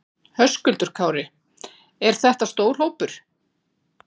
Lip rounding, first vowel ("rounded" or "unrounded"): rounded